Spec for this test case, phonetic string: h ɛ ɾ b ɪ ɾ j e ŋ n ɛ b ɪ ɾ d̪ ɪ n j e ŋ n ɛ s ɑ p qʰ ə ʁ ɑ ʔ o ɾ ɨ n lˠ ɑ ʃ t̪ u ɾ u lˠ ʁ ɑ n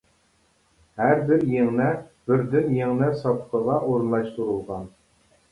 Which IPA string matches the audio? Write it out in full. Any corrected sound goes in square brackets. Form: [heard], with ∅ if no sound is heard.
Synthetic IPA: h [æ] ɾ b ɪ ɾ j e ŋ n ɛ b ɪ ɾ d̪ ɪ n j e ŋ n ɛ s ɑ p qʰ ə ʁ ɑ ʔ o ɾ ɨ n lˠ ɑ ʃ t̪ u ɾ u lˠ ʁ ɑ n

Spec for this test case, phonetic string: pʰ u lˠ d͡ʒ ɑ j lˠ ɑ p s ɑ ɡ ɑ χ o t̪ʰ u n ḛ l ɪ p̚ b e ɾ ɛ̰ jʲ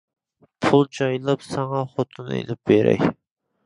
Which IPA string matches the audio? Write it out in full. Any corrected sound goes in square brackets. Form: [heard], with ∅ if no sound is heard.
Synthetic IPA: pʰ u lˠ d͡ʒ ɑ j lˠ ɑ p s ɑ [ŋ] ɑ χ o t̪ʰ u n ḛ l ɪ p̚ b e ɾ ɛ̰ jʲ

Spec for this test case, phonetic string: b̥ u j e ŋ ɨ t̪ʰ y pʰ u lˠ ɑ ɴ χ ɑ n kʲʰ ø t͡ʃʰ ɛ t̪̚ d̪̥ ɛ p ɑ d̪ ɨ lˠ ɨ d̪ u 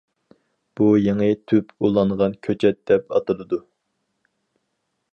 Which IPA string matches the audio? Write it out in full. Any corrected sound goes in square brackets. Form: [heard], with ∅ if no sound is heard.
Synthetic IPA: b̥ u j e ŋ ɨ t̪ʰ y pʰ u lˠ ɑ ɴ [ʁ] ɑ n kʲʰ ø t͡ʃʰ ɛ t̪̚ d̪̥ ɛ p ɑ [t̪] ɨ lˠ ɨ d̪ u

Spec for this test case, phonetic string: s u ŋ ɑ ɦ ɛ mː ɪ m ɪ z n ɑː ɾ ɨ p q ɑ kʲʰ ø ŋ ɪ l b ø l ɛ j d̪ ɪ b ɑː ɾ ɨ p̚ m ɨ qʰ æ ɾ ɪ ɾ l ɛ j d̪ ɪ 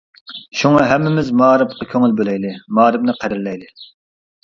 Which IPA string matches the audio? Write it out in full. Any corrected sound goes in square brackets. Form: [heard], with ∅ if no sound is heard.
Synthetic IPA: [ʃ] u ŋ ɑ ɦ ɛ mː ɪ m ɪ z [m] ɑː ɾ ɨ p q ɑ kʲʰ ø ŋ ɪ l b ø l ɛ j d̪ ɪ [m] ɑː ɾ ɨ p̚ [n] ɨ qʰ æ ɾ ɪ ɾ l ɛ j d̪ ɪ

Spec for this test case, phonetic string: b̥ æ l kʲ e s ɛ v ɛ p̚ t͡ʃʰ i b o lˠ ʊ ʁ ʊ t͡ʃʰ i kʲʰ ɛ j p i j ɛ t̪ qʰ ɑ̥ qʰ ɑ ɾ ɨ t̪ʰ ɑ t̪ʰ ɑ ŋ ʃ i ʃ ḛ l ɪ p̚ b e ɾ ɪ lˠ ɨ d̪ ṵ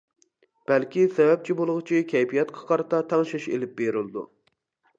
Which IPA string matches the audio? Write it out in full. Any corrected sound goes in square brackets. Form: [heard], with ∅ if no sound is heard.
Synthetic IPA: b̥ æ l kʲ [i] s ɛ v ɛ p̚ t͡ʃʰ i b o lˠ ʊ ʁ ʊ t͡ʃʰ i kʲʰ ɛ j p i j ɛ t̪ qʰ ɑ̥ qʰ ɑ ɾ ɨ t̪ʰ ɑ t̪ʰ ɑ ŋ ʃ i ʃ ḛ l ɪ p̚ b e ɾ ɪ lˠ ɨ d̪ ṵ

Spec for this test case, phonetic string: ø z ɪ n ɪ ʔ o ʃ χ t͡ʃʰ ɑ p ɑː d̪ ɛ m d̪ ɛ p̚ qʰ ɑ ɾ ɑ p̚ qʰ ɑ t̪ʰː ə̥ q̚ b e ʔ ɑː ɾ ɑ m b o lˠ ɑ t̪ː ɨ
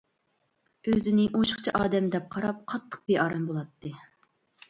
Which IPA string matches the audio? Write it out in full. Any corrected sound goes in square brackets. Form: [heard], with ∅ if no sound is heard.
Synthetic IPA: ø z ɪ n ɪ ʔ o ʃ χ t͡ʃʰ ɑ [ʔ] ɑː d̪ ɛ m d̪ ɛ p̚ qʰ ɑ ɾ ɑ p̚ qʰ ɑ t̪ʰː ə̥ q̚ b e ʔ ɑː ɾ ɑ m b o lˠ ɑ t̪ː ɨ

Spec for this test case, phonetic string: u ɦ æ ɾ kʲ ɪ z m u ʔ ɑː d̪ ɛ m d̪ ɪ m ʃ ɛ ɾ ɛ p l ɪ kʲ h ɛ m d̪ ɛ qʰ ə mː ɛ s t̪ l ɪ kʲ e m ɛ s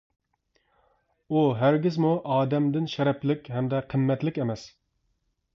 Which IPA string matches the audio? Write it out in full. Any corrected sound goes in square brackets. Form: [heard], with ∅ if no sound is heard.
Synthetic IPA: u ɦ æ ɾ [ɡʲ] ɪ z m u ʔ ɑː d̪ ɛ m d̪ ɪ [n] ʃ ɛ ɾ ɛ p l ɪ kʲ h ɛ m d̪ ɛ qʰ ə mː ɛ [∅] t̪ l ɪ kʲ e m ɛ s

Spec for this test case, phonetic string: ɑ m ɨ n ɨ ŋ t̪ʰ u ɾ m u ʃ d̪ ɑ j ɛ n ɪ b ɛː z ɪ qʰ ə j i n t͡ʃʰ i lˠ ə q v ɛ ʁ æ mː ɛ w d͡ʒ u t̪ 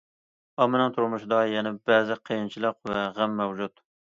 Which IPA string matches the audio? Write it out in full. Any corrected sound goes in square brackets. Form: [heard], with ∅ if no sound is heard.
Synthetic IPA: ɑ m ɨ n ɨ ŋ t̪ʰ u ɾ m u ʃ d̪ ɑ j ɛ n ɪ b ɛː z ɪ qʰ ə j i n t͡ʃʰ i lˠ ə q v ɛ ʁ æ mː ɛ w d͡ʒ u t̪

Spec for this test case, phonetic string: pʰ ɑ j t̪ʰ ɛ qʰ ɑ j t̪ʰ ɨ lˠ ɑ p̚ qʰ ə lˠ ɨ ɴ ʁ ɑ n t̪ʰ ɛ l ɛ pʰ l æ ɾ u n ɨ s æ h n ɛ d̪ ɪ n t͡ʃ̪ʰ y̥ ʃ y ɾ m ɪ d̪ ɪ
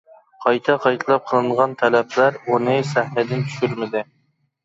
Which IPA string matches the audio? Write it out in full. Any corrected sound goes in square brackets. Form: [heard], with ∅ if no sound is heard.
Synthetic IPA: [qʰ] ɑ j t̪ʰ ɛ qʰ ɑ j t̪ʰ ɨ lˠ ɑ p̚ qʰ ə lˠ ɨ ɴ ʁ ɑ n t̪ʰ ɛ l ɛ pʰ l æ ɾ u n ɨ s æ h n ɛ d̪ ɪ n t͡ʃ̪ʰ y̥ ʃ y ɾ m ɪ d̪ ɪ

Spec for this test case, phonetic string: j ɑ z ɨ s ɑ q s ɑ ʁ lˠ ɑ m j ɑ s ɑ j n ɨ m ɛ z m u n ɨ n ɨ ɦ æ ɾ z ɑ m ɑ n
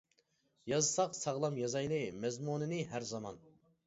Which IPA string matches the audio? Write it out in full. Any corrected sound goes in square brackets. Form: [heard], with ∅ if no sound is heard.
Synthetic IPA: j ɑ z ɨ s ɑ q s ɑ ʁ lˠ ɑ m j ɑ [z] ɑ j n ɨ m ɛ z m u n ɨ n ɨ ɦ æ ɾ z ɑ m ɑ n

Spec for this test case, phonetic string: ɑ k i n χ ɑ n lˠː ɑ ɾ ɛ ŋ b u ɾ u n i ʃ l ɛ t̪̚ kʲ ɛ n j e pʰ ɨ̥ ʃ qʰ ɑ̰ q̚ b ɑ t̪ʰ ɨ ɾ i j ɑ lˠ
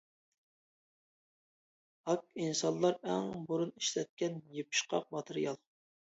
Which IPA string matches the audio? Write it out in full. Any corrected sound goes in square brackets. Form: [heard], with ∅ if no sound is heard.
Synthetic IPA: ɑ k i n [s] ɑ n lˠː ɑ ɾ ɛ ŋ b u ɾ u n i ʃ l ɛ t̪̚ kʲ ɛ n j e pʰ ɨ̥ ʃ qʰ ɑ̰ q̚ [m] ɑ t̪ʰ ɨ ɾ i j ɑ lˠ

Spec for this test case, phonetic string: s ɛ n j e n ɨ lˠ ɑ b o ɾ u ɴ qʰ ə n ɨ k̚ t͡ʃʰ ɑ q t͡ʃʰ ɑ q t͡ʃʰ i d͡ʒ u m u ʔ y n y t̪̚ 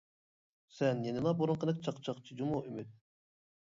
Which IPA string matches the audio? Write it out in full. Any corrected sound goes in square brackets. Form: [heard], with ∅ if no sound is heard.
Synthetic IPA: s ɛ n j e n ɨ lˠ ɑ b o ɾ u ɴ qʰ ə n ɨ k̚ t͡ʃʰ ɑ q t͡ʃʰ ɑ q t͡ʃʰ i d͡ʒ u m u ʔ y [m] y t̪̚

